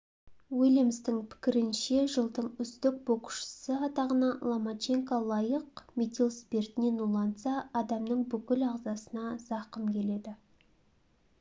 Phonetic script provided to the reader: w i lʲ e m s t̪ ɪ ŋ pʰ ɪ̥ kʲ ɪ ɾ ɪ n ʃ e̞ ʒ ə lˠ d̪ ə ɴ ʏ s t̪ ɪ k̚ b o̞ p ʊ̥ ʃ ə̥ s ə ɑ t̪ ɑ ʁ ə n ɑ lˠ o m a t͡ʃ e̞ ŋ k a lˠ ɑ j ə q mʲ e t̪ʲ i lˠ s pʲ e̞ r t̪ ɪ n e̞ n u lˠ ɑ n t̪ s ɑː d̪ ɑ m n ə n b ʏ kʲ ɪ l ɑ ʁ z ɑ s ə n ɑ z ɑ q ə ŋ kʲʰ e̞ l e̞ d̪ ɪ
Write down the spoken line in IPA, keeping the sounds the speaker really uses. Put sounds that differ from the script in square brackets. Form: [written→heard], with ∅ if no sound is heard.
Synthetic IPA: w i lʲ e m s t̪ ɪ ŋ pʰ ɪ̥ kʲ ɪ ɾ ɪ n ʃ e̞ ʒ ə lˠ d̪ ə ɴ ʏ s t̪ ɪ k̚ b o̞ [p→q] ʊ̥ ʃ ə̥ s ə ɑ t̪ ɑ ʁ ə n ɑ lˠ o m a t͡ʃ e̞ ŋ k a lˠ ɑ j ə q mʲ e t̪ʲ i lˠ s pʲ e̞ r t̪ ɪ n e̞ n u lˠ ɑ n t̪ s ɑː d̪ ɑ m n ə [n→ɴ] b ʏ kʲ ɪ l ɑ ʁ z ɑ s ə n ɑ z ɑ q ə [ŋ→m] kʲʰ e̞ l e̞ d̪ ɪ